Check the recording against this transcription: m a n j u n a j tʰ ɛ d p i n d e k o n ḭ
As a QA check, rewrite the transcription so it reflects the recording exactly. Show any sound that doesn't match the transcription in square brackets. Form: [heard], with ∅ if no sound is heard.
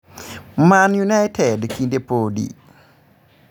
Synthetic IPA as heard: m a n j u n a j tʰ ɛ d [k] i n d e [p] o [d] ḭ